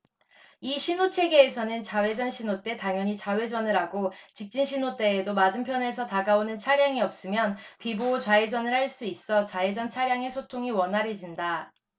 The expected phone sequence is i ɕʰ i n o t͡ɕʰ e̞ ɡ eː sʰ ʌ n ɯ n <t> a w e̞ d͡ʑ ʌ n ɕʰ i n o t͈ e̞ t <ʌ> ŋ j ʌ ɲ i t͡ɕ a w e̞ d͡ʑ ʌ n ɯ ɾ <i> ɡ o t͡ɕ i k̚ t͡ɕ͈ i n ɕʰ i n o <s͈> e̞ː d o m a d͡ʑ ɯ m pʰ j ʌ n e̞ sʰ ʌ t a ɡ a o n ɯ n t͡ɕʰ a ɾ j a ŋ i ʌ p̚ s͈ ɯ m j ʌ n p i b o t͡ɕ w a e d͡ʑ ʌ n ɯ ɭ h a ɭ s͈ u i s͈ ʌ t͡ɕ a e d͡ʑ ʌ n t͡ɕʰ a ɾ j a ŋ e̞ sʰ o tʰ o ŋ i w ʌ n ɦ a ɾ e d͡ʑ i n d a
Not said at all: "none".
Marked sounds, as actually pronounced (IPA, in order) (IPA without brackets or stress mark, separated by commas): t͡ɕ, a, a, t͈